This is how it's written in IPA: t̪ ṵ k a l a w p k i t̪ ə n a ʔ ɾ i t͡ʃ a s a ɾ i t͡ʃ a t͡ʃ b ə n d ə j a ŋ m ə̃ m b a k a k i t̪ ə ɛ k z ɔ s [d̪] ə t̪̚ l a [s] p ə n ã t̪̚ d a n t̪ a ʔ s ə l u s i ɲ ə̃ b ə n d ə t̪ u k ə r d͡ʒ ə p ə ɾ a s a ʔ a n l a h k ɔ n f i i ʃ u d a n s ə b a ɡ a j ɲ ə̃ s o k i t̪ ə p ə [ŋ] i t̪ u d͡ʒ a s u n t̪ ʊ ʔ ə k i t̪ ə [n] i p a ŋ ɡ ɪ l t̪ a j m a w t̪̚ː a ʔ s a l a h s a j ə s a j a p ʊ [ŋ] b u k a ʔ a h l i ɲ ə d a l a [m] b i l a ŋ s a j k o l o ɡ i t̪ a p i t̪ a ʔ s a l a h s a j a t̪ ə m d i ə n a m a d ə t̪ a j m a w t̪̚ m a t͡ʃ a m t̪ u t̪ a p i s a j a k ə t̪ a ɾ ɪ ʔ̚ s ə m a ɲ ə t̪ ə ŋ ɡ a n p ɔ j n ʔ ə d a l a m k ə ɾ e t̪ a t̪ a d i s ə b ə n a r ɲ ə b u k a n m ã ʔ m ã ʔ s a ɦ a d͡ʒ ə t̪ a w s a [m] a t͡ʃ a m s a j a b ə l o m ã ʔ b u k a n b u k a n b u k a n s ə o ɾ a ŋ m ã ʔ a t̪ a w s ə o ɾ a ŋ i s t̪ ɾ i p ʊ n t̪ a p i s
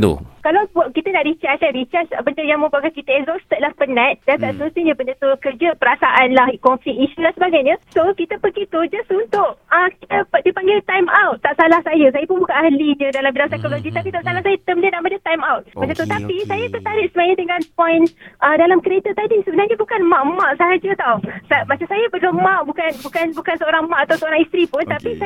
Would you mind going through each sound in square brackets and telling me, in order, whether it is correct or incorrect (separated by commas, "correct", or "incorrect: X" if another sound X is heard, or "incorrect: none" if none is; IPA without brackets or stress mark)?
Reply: incorrect: t̪, incorrect: h, incorrect: ɡ, incorrect: d, incorrect: n, correct, correct